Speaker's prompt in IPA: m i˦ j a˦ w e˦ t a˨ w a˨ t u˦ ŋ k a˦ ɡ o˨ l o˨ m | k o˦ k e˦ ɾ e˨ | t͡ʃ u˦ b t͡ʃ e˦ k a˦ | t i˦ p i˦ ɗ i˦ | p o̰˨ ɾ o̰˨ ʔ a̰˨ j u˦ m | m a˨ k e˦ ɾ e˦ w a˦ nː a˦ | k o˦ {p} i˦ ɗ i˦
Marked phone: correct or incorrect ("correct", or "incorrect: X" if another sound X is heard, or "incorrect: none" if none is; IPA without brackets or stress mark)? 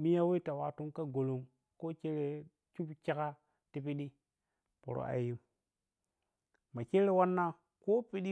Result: correct